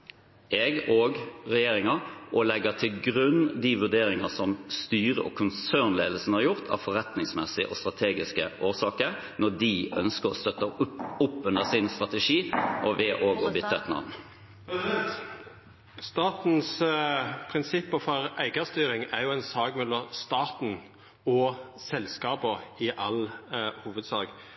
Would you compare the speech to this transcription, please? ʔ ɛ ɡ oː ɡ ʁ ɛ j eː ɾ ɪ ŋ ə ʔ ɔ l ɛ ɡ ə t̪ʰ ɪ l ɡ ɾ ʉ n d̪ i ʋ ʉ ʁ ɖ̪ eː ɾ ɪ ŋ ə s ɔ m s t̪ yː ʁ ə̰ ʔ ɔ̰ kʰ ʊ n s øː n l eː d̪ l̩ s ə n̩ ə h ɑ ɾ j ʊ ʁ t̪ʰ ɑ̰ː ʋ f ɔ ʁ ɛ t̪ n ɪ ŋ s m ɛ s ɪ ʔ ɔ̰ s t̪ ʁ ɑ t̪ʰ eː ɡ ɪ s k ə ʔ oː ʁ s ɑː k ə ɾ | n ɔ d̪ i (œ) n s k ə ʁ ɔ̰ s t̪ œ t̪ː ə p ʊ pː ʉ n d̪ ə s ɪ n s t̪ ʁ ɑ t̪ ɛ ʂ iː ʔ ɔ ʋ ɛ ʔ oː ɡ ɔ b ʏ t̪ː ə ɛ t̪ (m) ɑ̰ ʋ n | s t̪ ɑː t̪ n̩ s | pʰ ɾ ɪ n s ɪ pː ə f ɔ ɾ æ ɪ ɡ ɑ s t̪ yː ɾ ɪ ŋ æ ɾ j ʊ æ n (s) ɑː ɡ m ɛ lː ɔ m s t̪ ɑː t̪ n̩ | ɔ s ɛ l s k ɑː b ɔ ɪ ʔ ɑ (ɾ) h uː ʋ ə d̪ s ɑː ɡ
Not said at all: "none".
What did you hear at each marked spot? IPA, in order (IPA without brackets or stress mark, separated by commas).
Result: œ, n, s, l